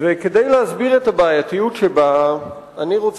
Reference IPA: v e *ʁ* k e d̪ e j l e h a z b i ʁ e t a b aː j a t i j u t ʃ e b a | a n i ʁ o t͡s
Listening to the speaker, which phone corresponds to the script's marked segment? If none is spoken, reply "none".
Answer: none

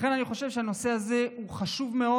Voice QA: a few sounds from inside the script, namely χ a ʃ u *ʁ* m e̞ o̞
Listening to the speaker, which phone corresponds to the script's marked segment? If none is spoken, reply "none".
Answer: v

